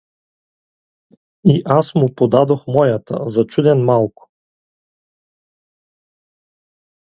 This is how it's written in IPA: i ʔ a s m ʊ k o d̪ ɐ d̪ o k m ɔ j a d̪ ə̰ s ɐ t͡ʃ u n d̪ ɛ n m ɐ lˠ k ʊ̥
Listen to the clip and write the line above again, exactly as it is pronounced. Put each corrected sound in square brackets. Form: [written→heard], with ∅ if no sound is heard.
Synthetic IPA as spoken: i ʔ a s m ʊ [k→p] o d̪ [ɐ→a] d̪ o [k→x] m ɔ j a [d̪→t̪] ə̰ [s→z] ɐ t͡ʃ u [n→∅] d̪ ɛ n m [ɐ→a] lˠ k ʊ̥